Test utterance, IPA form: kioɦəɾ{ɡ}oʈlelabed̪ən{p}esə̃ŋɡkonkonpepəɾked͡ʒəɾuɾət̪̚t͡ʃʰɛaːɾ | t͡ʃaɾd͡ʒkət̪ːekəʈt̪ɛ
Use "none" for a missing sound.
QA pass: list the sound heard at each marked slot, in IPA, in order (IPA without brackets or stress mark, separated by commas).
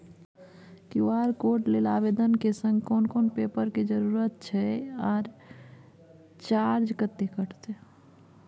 k, k